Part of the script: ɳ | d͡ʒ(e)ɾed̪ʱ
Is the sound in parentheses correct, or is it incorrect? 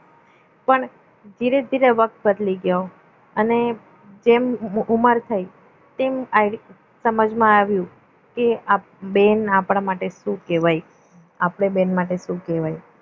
incorrect